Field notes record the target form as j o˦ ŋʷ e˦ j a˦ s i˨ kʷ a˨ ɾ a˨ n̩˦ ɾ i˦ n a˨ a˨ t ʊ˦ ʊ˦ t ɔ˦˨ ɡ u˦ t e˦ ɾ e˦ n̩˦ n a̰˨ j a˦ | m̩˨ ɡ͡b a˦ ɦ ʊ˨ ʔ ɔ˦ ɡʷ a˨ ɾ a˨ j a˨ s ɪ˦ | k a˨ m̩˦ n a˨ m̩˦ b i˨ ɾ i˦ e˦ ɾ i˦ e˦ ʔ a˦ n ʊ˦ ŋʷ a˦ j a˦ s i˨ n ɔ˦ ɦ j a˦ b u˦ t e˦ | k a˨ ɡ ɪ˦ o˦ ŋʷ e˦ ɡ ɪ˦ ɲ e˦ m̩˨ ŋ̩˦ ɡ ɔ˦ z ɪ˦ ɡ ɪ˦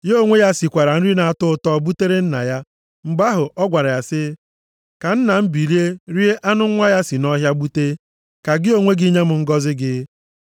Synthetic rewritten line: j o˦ ŋʷ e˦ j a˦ s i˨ kʷ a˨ ɾ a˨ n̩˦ ɾ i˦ n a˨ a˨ t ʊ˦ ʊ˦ t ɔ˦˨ b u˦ t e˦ ɾ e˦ n̩˦ n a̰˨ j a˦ | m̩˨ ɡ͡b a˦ ɦ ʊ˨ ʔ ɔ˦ ɡʷ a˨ ɾ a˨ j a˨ s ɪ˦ | k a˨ n̩˦ n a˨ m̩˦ b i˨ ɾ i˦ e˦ ɾ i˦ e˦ ʔ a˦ n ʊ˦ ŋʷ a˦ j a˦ s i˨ n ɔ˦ ɦ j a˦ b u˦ t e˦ | k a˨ ɡ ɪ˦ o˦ ŋʷ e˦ ɡ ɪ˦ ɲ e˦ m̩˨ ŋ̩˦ ɡ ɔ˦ z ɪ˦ ɡ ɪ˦